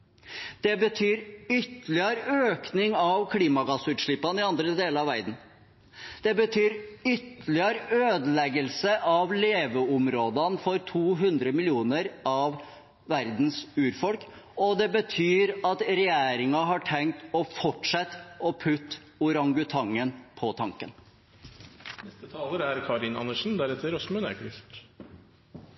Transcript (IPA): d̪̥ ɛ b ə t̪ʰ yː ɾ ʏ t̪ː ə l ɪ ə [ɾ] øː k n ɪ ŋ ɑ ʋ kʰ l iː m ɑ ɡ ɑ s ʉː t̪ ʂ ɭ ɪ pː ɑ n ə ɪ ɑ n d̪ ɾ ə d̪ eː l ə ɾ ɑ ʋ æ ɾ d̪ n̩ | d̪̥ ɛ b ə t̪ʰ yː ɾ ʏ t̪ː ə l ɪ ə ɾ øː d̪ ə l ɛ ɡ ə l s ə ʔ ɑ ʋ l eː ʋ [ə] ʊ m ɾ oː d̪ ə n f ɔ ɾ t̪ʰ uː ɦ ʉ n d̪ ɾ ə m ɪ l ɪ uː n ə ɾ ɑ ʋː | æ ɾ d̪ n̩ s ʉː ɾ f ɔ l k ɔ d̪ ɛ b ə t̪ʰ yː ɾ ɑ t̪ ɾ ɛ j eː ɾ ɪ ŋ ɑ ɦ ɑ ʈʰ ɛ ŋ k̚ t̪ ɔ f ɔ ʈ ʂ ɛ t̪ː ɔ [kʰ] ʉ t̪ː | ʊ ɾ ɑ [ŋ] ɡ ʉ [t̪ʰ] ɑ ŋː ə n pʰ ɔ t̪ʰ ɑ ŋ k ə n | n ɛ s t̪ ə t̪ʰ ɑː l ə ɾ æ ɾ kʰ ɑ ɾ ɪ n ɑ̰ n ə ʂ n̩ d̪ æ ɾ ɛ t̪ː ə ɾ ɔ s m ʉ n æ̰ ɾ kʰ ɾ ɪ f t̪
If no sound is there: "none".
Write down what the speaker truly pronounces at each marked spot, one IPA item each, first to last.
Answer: ɾ, ə, pʰ, ŋ, t̪ʰ

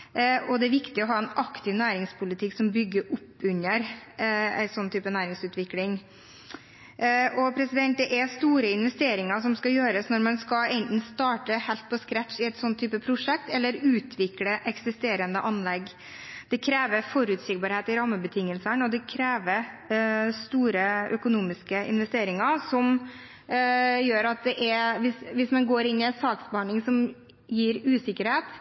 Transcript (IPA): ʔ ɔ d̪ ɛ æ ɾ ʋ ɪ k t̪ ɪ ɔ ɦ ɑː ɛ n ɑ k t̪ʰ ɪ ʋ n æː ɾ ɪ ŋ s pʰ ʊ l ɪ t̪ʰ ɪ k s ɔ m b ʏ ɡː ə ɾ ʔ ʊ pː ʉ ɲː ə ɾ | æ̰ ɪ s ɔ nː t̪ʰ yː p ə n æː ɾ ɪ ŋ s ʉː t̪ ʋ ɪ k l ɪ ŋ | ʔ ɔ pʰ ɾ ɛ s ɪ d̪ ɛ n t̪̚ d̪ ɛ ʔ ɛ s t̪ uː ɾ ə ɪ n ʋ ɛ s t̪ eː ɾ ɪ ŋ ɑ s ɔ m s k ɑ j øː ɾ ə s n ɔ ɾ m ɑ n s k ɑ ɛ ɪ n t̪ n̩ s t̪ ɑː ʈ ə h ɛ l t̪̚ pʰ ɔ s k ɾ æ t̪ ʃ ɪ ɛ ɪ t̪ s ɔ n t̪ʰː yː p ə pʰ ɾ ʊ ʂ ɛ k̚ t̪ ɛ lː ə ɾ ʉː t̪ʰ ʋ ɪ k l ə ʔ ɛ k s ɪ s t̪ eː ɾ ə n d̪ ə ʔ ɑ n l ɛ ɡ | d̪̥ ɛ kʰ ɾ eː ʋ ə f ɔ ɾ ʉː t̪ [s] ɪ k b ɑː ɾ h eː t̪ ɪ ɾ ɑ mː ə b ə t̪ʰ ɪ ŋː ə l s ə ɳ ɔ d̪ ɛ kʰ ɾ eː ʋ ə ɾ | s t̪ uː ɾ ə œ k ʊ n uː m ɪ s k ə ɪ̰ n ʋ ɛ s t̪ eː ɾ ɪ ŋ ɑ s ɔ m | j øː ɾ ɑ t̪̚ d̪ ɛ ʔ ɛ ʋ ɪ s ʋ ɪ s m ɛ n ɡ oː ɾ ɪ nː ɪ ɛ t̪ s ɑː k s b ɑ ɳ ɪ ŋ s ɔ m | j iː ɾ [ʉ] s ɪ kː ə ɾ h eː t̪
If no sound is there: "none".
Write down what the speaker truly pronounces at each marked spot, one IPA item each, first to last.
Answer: s, ʉː

